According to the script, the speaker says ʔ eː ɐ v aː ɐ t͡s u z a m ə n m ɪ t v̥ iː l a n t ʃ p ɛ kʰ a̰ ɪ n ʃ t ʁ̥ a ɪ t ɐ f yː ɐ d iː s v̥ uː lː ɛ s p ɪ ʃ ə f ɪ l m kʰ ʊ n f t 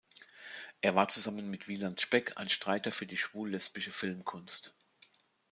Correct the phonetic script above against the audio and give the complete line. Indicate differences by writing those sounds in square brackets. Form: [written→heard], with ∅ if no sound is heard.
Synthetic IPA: ʔ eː ɐ v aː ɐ t͡s u z a m ə n m ɪ t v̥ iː l a n t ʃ p ɛ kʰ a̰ ɪ n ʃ t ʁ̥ a ɪ t ɐ f yː ɐ d iː [s→ʃ] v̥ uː lː ɛ s p ɪ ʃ ə f ɪ l m kʰ ʊ n [f→s] t